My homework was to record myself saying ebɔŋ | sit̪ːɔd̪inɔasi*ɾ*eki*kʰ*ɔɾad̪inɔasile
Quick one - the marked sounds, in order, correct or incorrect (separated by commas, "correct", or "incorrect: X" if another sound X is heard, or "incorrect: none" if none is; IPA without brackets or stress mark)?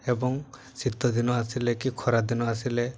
incorrect: l, correct